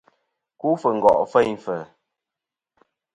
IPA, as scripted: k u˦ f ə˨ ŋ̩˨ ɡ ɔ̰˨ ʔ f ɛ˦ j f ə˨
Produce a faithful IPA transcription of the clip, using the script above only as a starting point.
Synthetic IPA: k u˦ f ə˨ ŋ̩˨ ɡ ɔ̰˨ ʔ f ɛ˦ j f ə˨